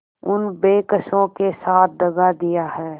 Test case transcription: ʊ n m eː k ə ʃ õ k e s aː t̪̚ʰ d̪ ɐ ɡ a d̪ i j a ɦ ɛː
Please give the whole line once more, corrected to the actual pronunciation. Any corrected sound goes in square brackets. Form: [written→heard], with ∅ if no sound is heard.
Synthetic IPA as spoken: ʊ n [m→b] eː k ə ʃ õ k e s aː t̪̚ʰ d̪ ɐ ɡ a d̪ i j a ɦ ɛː